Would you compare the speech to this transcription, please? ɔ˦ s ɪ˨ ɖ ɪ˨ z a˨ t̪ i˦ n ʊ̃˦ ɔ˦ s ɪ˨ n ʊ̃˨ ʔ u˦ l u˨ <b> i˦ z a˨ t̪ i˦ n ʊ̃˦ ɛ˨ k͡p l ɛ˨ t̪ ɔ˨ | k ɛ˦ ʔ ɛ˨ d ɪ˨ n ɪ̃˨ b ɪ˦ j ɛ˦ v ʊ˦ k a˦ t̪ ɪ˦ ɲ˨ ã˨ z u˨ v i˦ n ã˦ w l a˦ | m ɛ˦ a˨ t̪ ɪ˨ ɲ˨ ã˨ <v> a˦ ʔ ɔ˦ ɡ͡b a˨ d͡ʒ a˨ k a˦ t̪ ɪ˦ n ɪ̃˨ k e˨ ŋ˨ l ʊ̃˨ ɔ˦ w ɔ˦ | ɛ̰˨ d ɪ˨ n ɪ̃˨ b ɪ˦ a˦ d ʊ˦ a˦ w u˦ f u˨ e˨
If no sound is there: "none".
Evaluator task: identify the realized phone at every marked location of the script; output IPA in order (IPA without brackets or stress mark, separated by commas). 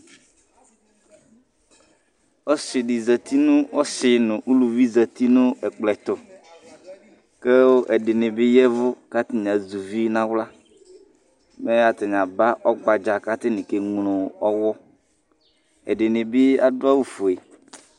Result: v, b